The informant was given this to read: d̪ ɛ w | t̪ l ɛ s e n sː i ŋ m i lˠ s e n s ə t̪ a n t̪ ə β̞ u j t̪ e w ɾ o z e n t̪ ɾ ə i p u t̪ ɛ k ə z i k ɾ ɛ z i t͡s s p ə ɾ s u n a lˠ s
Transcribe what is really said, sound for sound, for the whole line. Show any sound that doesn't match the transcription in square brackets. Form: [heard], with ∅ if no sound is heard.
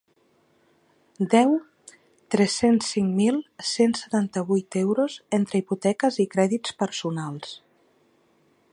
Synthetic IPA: d̪ ɛ w | t̪ [ɾ] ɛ s e n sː i ŋ m i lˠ s e n s ə t̪ a n t̪ ə β̞ u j t̪ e w ɾ o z e n t̪ ɾ ə i p u t̪ ɛ k ə z i k ɾ ɛ [ð] i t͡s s p ə ɾ s u n a lˠ s